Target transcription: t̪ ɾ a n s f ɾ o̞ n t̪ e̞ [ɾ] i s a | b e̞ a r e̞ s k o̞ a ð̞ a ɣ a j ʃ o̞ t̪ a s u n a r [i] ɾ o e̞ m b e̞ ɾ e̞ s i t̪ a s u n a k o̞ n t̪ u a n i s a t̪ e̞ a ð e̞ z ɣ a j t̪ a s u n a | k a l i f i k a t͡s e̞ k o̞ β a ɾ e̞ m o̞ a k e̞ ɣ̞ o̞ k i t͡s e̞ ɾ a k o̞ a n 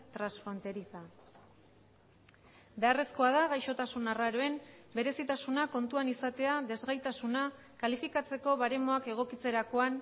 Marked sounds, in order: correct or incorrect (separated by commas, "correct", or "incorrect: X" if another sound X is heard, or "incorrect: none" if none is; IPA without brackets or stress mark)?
correct, incorrect: a